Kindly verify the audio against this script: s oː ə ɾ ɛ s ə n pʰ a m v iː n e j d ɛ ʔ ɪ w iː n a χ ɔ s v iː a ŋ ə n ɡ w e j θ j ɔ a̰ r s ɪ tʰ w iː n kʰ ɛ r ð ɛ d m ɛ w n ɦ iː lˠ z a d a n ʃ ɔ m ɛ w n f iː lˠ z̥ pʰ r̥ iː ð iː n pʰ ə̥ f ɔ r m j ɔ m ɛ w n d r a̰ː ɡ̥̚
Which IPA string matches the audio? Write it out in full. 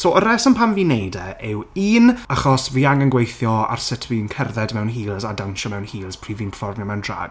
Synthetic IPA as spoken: s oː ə ɾ ɛ s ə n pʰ a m v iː n e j d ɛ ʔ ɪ w iː n a χ ɔ s v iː a ŋ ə n ɡ w e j θ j ɔ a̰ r s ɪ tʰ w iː n kʰ ɛ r ð ɛ d m ɛ w n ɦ iː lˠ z a d a n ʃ ɔ m ɛ w n h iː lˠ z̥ pʰ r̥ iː v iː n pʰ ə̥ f ɔ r m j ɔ m ɛ w n d r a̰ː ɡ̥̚

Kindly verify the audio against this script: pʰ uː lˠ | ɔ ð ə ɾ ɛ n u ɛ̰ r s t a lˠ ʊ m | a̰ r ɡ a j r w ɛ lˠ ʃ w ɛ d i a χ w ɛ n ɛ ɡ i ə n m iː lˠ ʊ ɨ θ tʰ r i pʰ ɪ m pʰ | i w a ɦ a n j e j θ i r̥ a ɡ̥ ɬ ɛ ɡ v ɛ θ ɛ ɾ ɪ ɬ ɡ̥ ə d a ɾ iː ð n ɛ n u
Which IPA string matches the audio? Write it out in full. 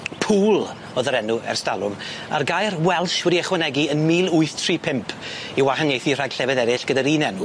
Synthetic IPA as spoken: pʰ uː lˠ | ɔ ð ə ɾ ɛ n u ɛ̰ r s t a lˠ ʊ m | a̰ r ɡ a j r w ɛ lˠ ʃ w ɛ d i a χ w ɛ n ɛ ɡ i ə n m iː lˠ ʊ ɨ θ tʰ r i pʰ ɪ m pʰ | i w a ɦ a n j e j θ i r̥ a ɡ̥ ɬ ɛ v ɛ ð ɛ ɾ ɪ ɬ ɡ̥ ə d a ɾ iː n ɛ n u

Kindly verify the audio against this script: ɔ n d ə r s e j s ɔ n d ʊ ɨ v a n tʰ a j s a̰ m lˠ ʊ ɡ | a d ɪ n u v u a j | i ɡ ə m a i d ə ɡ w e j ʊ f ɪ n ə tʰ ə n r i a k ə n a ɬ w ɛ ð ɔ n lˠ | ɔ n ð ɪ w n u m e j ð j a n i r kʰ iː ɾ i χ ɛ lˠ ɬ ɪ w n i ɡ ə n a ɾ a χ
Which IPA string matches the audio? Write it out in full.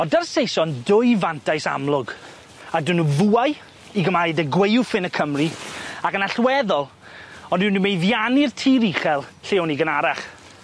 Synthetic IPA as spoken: ɔ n d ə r s e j s ɔ n d ʊ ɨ v a n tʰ a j s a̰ m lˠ ʊ ɡ | a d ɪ n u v u a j | i ɡ ə m a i d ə ɡ w e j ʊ f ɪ n ə kʰ ə m r i a k ə n a ɬ w ɛ ð ɔ lˠ | ɔ n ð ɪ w n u m e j ð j a n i r tʰ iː ɾ i χ ɛ lˠ ɬ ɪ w n i ɡ ə n a ɾ a χ

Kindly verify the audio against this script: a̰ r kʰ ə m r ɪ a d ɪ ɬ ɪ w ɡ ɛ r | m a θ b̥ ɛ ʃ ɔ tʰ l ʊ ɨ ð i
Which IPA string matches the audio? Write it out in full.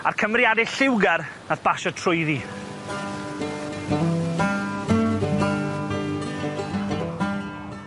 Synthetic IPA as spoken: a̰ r kʰ ə m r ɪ a d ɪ ɬ ɪ w ɡ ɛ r | n a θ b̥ a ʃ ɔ tʰ r ʊ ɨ ð i

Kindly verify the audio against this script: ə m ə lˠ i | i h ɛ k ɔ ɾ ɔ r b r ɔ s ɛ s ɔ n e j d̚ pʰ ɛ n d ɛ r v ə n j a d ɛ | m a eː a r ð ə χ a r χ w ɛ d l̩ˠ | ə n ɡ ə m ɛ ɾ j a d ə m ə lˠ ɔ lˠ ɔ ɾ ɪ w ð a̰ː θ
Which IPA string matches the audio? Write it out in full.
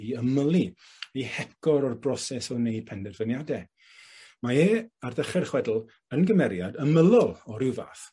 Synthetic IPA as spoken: ə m ə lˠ i | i h ɛ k ɔ ɾ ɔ r b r ɔ s ɛ s ɔ n e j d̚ pʰ ɛ n d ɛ r v ə n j a d ɛ | m a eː a r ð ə χ ɛ r χ w ɛ d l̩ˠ | ə n ɡ ə m ɛ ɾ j a d ə m ə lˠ ɔ lˠ ɔ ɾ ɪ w v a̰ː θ

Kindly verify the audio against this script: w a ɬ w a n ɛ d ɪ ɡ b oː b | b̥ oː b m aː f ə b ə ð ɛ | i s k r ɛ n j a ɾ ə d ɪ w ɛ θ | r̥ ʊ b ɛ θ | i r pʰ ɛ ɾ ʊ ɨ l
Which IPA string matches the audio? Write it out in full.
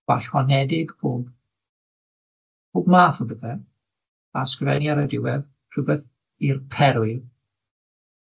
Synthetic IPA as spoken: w a ɬ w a n ɛ d ɪ ɡ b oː b | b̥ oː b m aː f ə b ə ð ɛ | a s k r ɛ n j a ɾ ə d ɪ w ɛ ð | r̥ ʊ b ɛ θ | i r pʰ ɛ ɾ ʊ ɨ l

